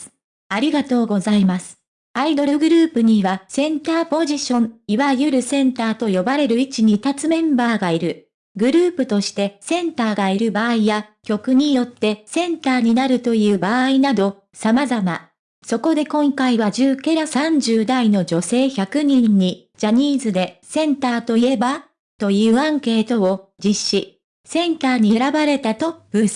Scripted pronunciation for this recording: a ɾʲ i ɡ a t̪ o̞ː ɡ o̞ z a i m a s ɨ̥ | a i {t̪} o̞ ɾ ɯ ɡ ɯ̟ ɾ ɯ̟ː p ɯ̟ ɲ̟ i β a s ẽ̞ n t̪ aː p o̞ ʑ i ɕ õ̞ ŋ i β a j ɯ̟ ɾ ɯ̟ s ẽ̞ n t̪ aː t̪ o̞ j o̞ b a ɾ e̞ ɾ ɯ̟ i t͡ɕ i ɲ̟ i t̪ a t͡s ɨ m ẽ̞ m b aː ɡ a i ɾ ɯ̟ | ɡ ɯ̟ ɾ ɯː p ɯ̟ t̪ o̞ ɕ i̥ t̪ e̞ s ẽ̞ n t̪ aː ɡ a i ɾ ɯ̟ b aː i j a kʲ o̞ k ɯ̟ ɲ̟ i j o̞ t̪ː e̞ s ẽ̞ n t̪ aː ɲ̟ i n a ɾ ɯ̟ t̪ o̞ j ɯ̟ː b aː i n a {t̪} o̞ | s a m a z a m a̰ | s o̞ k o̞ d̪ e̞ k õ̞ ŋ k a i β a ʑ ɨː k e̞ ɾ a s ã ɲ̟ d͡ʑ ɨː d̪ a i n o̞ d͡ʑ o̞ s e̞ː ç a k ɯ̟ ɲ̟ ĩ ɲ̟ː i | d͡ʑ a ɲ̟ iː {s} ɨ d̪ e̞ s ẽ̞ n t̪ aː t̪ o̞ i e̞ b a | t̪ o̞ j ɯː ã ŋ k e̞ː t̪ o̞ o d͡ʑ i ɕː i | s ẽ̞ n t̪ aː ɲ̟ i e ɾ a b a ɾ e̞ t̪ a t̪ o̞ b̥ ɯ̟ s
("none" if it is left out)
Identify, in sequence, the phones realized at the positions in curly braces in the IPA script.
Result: d̪, d̪, z

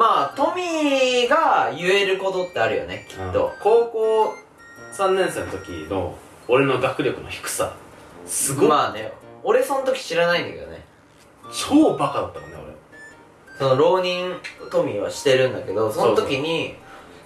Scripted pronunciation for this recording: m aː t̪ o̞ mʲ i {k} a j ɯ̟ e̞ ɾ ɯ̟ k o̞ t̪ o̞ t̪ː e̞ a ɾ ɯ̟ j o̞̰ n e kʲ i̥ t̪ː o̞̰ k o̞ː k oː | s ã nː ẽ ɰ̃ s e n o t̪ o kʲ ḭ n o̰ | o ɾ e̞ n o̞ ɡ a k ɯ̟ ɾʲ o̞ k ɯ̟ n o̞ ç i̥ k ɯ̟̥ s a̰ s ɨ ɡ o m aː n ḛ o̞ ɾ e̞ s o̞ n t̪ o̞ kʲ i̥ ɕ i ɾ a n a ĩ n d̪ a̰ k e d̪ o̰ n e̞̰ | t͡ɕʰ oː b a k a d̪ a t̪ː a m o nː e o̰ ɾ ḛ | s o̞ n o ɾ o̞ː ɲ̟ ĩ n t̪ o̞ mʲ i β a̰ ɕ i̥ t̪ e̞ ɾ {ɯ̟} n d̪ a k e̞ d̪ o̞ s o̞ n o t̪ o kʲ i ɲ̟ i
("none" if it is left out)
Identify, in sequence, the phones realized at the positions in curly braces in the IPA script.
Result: ɡ, ɯ̟̃

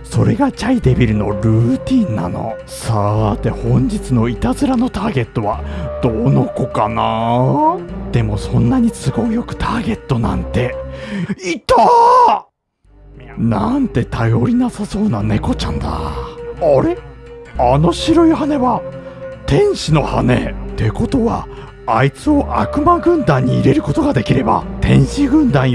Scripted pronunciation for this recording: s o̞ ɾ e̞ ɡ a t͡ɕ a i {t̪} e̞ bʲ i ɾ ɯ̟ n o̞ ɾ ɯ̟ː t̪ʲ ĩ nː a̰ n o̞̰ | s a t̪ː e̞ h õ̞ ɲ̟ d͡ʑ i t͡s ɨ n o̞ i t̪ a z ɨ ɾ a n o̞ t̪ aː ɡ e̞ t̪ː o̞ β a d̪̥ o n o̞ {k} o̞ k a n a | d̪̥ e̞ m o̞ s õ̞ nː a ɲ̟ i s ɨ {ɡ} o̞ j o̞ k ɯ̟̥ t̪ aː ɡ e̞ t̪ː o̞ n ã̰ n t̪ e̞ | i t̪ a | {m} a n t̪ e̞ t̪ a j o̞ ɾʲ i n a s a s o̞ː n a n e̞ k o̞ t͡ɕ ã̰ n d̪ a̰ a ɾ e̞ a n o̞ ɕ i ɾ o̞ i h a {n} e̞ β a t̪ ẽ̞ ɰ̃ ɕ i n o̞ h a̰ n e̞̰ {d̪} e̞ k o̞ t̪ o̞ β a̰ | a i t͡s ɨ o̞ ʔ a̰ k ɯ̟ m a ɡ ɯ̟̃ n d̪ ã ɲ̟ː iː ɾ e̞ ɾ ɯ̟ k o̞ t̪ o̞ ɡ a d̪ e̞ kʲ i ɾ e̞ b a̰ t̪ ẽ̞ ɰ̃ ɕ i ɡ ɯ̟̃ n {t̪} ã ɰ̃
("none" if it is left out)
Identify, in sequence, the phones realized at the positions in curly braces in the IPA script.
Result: d̪, k, ɡ, n, n, t̪, d̪

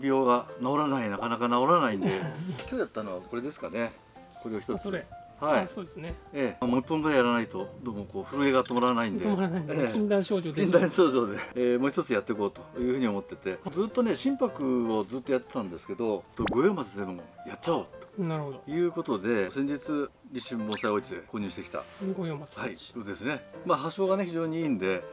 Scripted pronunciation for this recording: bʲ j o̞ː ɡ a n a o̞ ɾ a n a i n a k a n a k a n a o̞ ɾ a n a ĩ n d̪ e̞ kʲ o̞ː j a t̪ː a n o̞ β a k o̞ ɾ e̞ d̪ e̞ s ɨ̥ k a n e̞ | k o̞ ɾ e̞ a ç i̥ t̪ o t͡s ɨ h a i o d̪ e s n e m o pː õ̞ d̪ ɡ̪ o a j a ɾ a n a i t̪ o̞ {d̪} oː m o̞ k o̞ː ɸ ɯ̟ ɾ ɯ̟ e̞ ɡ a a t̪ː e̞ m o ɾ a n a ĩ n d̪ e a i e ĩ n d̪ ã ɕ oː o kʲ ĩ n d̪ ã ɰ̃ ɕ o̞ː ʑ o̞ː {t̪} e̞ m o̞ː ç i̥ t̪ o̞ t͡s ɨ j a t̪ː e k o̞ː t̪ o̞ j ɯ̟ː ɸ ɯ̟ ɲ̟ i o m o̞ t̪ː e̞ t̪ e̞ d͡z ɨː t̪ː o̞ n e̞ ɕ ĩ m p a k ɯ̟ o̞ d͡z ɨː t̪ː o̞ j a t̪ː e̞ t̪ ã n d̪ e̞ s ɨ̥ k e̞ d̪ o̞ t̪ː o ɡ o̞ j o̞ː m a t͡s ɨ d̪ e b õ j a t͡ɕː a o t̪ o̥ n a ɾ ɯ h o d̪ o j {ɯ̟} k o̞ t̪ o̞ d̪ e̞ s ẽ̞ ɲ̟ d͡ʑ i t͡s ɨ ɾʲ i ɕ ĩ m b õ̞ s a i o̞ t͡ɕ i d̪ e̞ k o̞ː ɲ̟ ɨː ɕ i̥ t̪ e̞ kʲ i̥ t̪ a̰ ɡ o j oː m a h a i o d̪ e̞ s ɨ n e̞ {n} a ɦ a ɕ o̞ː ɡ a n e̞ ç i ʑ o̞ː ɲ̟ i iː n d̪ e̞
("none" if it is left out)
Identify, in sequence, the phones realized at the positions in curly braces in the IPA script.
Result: d̪, d̪, ɯ̟ː, m

